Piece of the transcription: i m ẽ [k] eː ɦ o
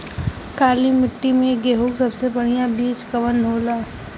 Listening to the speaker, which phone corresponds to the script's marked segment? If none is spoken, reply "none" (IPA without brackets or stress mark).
ɡ